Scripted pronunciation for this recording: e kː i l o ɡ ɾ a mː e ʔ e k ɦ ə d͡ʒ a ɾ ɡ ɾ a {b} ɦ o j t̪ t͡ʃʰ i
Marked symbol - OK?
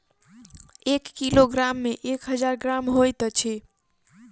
no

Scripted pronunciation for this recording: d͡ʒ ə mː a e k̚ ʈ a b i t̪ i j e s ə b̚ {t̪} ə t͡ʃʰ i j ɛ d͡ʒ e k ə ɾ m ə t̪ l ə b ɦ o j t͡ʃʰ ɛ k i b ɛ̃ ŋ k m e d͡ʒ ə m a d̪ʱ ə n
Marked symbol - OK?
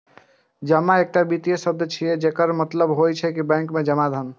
no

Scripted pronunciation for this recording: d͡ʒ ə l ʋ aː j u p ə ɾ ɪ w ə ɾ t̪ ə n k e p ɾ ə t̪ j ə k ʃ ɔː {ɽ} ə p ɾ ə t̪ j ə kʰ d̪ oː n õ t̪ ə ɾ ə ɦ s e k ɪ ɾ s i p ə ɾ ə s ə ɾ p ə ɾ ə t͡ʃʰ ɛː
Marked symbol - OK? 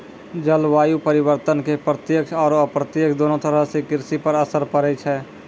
no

